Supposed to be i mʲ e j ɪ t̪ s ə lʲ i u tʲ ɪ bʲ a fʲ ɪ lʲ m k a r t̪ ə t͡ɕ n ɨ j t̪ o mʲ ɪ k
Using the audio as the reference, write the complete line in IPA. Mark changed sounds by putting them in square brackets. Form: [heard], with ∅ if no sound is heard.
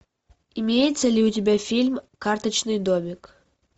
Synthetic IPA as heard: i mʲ e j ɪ t̪ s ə lʲ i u tʲ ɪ bʲ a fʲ [i] lʲ m k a r t̪ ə t͡ɕ n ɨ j [d̪] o mʲ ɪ k

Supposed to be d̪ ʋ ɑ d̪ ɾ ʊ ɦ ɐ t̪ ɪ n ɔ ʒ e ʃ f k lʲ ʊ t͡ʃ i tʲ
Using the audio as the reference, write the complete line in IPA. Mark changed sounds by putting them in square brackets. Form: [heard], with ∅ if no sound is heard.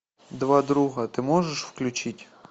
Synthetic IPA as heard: d̪ ʋ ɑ d̪ ɾ [u] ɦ ɐ t̪ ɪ [m] ɔ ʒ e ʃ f k lʲ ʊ t͡ʃ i tʲ

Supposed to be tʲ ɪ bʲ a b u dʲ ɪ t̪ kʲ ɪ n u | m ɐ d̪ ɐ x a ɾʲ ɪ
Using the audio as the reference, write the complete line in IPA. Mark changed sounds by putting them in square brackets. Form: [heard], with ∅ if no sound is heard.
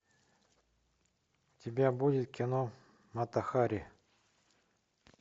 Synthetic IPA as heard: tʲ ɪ bʲ a b u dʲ ɪ t̪ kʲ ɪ n [o] | m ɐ [t̪] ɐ x a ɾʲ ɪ

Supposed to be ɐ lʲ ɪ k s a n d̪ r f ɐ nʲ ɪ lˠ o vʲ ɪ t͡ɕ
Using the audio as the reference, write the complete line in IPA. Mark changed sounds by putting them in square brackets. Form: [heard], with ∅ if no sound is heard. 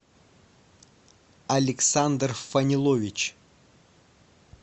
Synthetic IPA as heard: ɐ lʲ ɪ k s a n d̪ r f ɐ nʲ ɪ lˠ o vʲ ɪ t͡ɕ

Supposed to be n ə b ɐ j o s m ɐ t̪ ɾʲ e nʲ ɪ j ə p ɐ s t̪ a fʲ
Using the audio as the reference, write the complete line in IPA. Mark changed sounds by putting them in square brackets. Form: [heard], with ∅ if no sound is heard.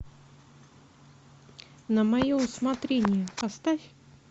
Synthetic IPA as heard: n ə [m] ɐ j o s m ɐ t̪ ɾʲ e nʲ ɪ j ə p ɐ s t̪ a fʲ

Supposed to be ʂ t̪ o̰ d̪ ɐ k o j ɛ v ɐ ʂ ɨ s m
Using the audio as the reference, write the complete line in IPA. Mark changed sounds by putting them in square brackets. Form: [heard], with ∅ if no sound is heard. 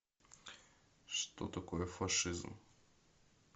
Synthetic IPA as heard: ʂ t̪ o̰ [t̪] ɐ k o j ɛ [f] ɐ ʂ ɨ [z] m

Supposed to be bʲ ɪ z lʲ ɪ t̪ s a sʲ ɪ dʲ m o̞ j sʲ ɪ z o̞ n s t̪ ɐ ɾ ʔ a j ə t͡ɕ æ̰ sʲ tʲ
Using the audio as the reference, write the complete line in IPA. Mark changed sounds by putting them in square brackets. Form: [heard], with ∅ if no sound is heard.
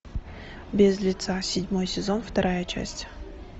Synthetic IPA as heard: bʲ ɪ z lʲ ɪ t̪ s a sʲ ɪ dʲ m o̞ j sʲ ɪ z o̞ n [f] t̪ ɐ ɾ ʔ a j ə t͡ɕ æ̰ sʲ tʲ

